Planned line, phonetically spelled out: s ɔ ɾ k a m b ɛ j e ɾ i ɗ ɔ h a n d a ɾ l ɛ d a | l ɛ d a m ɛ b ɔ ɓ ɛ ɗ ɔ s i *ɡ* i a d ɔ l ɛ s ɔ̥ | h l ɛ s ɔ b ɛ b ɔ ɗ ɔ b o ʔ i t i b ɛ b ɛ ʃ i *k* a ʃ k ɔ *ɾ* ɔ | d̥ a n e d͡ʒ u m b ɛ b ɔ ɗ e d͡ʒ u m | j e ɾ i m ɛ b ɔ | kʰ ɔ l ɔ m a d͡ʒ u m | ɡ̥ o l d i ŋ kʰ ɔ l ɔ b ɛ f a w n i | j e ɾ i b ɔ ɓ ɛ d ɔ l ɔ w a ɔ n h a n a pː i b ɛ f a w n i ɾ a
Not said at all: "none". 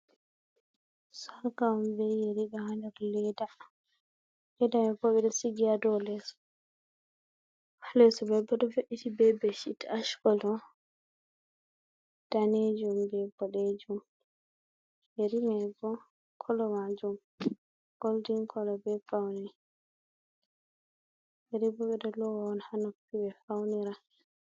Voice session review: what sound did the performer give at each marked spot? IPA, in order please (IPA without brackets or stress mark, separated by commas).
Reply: ɡ, t, l